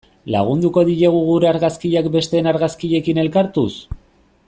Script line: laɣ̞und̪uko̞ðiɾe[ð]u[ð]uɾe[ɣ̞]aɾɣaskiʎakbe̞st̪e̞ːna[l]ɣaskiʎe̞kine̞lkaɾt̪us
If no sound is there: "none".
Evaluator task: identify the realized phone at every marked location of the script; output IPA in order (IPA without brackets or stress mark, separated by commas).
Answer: ɣ, ɣ, none, ɾ